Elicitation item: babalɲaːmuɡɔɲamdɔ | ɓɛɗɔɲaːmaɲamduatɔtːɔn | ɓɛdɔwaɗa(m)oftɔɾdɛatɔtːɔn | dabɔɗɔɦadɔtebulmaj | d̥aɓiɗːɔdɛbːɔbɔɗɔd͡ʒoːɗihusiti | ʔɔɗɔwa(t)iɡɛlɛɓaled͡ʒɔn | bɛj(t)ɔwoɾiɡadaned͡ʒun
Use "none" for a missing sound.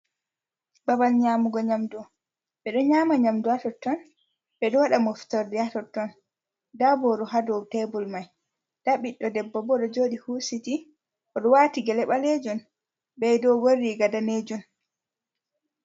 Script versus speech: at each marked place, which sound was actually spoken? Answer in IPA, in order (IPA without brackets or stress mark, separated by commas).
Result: m, t, d